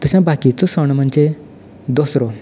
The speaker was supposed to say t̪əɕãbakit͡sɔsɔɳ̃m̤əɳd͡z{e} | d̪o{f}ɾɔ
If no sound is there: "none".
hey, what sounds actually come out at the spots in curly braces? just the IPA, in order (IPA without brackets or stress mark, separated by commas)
e, s